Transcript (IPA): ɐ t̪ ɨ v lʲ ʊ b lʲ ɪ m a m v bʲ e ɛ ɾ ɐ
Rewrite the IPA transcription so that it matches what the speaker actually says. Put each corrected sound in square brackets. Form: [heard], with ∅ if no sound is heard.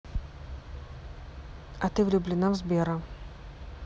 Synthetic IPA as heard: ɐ t̪ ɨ v lʲ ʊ b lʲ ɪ [n] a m [z] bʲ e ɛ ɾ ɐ